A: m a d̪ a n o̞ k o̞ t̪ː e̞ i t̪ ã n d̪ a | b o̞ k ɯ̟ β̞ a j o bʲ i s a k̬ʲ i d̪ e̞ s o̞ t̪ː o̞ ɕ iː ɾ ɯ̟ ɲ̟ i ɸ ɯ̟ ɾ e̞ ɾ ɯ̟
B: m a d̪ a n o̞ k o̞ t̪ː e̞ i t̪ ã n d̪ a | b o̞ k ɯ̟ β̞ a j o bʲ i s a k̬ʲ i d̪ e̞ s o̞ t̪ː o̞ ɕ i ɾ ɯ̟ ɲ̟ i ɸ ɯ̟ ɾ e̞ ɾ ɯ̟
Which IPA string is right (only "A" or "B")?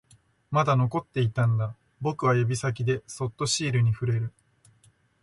A